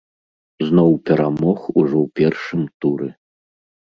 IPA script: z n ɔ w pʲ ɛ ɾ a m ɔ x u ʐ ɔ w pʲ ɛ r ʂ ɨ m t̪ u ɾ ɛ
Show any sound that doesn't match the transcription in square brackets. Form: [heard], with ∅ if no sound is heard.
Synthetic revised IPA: z n ɔ w pʲ ɛ ɾ a m ɔ x u ʐ ɔ w pʲ ɛ r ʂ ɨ m t̪ u ɾ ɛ